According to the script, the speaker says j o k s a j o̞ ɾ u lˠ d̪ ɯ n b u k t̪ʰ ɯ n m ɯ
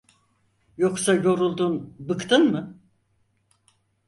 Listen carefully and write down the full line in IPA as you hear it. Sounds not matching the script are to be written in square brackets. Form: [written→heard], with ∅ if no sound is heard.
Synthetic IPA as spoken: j o k s a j o̞ ɾ u lˠ d̪ [ɯ→u] n b [u→ɯ] k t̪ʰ ɯ n m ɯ